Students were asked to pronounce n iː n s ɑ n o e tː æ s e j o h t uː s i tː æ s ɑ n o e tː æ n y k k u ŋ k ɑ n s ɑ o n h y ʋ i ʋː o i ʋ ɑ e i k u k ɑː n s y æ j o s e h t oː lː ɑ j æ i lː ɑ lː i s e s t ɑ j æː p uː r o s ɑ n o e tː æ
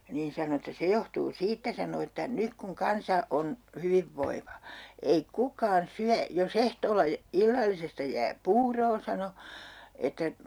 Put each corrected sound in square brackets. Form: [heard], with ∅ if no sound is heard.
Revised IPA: n iː n s ɑ n o e tː æ s e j o h t uː s [iː] tː æ s ɑ n o e tː æ n y k k u ŋ k ɑ n s ɑ o n h y ʋ i ʋː o i ʋ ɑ e i k u k ɑː n s y æ j o s e h t oː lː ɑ j æ i lː ɑ lː i s e s t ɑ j æː p uː r [oː] s ɑ n o e tː æ